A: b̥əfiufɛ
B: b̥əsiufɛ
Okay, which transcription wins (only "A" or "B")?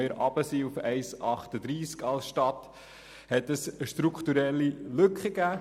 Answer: B